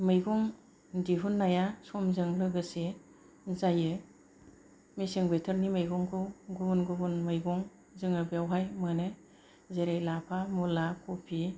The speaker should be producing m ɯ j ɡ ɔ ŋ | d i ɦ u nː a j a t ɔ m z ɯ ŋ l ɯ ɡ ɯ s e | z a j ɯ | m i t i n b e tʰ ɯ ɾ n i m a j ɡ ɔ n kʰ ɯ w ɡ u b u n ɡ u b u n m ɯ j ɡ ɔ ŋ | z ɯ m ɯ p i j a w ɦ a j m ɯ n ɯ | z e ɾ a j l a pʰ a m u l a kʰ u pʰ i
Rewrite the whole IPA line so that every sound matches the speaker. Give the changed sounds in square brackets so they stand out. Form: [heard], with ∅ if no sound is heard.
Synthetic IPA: m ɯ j ɡ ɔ ŋ | d i ɦ u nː a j a [s] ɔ m z ɯ ŋ l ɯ ɡ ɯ s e | z a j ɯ | m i [s] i [ŋ] b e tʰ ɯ ɾ n i m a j ɡ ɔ [ŋ] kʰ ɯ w ɡ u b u n ɡ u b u n m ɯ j ɡ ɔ ŋ | z ɯ [ŋ] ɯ [b] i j a w ɦ a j m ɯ n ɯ | z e ɾ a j l a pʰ a m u l a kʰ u pʰ i